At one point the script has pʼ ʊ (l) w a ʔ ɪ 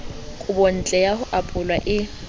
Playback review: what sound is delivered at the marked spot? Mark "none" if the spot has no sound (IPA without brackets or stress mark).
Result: l